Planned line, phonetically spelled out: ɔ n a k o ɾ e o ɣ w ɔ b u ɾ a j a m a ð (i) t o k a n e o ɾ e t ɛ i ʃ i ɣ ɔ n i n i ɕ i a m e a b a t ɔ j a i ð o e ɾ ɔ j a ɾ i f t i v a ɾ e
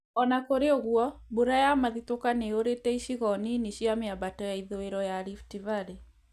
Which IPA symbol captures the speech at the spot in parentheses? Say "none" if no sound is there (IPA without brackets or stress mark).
i